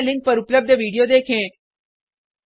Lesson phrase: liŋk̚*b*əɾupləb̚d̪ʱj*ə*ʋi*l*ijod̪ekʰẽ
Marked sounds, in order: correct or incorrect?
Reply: incorrect: p, correct, incorrect: ɽ

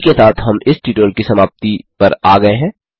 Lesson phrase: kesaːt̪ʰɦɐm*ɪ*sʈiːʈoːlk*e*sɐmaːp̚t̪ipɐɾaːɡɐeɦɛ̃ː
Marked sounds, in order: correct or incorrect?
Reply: correct, incorrect: i

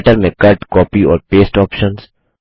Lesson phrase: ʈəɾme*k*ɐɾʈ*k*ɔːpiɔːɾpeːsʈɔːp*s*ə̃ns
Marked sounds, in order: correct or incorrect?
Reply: correct, correct, incorrect: ʃ

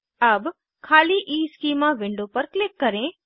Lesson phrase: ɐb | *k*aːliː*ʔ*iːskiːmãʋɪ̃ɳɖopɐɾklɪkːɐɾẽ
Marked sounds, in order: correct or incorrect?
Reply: incorrect: kʰ, correct

